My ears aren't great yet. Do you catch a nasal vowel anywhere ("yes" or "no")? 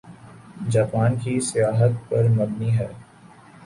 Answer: no